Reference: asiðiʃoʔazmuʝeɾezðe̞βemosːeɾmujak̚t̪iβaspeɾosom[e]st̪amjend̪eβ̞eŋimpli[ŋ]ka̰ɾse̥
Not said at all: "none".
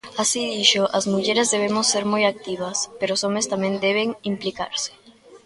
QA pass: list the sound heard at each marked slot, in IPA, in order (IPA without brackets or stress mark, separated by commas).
e, none